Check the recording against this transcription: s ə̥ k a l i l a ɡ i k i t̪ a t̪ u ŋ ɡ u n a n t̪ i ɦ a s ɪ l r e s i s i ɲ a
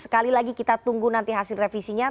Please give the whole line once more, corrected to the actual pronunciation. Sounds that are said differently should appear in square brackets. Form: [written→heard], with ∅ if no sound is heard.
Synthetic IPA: s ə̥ k a l i l a ɡ i k i t̪ a t̪ u ŋ ɡ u n a n t̪ i ɦ a s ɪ l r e [s→f] i s i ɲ a